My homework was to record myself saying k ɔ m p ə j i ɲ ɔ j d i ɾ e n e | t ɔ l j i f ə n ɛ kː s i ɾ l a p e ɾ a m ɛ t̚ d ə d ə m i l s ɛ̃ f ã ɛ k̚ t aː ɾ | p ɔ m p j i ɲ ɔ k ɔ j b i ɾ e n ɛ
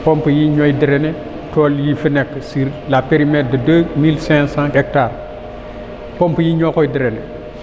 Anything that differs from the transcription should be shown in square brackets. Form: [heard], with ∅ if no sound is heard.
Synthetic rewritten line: [p] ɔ m p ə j i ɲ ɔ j d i ɾ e n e | t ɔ l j i f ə n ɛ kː s i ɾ l a p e ɾ [i] m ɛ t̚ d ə d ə m i l s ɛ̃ [s] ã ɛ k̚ t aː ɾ | p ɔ m p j i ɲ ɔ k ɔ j [d] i ɾ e n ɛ